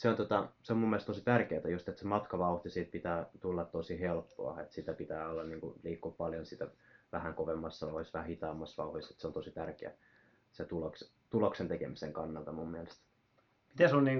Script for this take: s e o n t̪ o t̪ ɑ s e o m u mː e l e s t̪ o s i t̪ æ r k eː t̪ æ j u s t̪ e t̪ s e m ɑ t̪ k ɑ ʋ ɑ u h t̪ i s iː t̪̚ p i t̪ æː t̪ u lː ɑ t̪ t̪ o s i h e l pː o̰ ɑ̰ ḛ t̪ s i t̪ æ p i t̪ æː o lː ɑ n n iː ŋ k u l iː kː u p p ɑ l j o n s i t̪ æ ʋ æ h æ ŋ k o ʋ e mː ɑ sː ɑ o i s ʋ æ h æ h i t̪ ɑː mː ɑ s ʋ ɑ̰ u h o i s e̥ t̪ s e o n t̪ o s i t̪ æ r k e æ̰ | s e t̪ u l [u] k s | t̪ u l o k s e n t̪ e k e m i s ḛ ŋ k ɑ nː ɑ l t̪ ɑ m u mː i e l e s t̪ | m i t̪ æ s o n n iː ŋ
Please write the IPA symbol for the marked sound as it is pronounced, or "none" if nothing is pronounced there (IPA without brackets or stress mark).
o